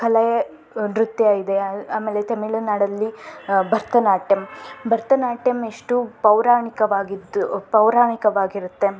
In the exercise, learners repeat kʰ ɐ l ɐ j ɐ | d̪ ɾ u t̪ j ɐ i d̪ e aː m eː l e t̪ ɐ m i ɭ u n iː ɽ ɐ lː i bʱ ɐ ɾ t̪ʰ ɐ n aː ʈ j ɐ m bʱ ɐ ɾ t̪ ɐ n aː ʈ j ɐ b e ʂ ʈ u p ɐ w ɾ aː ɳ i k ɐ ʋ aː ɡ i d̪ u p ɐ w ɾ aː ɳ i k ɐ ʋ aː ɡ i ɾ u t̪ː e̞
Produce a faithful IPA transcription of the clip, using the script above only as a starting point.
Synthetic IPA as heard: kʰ ɐ l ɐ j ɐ | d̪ ɾ u t̪ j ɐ i d̪ e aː m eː l e t̪ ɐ m i ɭ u n aː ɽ ɐ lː i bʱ ɐ ɾ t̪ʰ ɐ n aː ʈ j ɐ m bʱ ɐ ɾ t̪ ɐ n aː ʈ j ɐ m e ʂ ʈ u p ɐ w ɾ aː ɳ i k ɐ ʋ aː ɡ i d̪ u p ɐ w ɾ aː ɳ i k ɐ ʋ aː ɡ i ɾ u t̪ː e̞